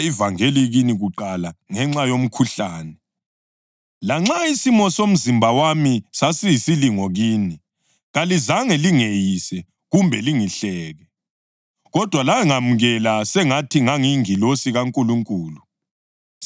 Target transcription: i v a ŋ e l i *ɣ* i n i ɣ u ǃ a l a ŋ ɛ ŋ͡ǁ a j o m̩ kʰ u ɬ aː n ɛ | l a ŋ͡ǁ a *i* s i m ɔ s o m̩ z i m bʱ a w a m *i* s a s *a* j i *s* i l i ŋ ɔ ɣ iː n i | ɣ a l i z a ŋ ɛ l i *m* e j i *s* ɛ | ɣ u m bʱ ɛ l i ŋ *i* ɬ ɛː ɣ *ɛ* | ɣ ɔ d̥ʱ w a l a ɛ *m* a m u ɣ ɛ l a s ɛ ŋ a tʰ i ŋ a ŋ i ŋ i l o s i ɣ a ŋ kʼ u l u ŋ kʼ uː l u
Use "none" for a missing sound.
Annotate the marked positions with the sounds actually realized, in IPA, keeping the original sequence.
ɣ, i, i, i, s, ŋ, s, i, ɛ, ŋ

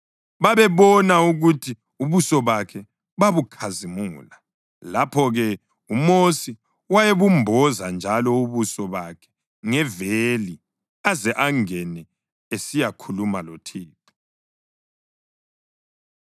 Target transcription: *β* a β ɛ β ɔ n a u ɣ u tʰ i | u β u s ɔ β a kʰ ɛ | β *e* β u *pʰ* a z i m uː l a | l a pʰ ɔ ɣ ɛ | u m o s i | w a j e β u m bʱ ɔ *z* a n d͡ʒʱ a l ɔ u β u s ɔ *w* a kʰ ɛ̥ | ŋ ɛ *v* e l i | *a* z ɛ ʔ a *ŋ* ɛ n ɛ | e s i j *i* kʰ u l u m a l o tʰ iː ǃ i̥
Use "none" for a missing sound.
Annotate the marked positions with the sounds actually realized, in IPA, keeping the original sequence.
β, a, kʰ, z, β, v, a, ŋ, a

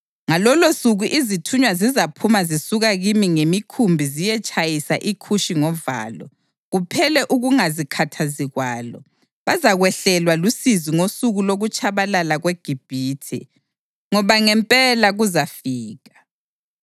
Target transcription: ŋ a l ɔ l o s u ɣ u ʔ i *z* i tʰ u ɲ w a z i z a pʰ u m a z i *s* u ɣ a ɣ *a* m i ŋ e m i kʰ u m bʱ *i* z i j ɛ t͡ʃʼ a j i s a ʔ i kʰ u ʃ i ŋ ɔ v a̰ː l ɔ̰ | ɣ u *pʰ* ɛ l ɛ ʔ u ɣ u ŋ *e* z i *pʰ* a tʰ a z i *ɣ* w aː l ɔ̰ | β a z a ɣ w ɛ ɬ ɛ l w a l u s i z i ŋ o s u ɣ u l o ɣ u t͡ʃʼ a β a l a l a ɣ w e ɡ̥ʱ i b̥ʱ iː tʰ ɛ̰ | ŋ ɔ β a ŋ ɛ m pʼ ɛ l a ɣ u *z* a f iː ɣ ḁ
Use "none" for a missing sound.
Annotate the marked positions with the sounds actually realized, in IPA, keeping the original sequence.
z, s, i, i, pʰ, a, kʰ, ɣ, z

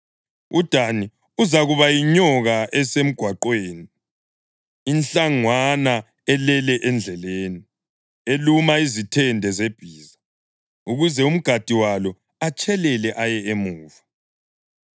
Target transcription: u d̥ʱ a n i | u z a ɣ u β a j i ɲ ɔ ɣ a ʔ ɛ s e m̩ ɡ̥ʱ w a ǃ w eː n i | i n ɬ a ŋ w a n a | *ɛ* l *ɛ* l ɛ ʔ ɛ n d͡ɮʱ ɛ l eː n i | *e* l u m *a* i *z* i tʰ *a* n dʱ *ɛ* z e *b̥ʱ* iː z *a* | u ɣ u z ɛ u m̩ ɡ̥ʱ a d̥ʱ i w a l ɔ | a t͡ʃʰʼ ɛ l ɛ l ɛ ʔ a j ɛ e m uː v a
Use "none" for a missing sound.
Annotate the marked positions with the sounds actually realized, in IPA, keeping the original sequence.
ɛ, ɛ, e, a, z, ɛ, ɛ, b̥ʱ, a

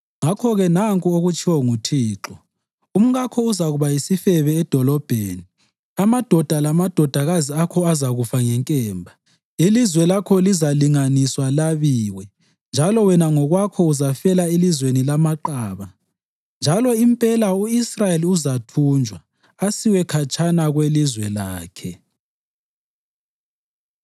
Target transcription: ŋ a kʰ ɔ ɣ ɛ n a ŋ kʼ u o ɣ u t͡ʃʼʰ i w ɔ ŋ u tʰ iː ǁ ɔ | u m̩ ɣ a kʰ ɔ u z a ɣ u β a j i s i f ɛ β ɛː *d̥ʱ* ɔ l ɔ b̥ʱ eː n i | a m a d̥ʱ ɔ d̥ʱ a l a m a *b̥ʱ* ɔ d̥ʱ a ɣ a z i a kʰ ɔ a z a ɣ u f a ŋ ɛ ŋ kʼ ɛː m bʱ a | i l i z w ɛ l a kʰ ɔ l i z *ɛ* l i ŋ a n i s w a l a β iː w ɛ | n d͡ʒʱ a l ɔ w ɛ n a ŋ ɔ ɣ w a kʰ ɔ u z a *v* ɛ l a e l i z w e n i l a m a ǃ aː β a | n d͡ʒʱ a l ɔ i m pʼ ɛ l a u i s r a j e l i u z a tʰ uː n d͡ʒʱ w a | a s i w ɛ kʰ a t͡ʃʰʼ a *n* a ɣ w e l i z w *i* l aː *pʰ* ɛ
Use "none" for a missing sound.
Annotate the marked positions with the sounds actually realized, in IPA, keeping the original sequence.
d̥ʱ, d̥ʱ, a, f, n, ɛ, kʰ

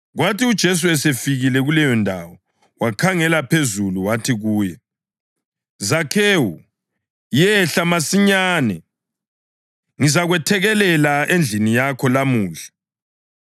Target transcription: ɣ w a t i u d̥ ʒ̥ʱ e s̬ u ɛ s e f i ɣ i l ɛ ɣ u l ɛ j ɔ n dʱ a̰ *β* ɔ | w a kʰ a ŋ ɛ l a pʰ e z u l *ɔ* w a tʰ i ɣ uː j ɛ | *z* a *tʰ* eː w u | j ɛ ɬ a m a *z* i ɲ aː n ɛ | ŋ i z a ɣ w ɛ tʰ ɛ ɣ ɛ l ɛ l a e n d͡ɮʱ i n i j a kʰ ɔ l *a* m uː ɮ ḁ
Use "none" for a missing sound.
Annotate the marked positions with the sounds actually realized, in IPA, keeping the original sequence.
w, u, z, kʰ, s, a

